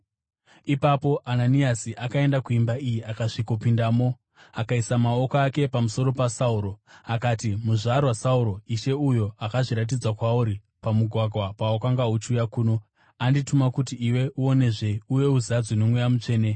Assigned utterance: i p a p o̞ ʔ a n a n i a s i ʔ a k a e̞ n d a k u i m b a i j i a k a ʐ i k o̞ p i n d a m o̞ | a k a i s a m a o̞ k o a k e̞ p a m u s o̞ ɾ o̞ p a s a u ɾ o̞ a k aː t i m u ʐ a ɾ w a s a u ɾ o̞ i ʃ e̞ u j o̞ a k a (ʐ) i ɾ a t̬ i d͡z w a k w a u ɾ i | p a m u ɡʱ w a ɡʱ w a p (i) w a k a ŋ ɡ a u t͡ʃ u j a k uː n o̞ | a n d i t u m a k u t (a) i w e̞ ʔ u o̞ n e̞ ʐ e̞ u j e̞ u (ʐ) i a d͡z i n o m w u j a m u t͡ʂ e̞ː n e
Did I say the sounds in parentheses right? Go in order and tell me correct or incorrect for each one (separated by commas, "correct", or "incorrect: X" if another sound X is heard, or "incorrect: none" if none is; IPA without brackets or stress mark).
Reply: correct, incorrect: a, incorrect: i, incorrect: z